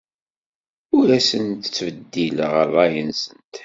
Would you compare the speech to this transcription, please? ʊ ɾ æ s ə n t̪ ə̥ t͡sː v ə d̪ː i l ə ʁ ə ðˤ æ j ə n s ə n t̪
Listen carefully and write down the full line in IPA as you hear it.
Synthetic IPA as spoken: ʊ ɾ æ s ə n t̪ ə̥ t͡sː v ə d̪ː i l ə ʁ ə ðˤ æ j ə n s ə n t̪